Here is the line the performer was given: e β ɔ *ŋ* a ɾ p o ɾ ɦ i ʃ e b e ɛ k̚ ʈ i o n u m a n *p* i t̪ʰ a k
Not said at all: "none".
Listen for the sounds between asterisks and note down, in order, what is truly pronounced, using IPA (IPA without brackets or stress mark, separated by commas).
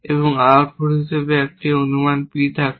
ŋ, p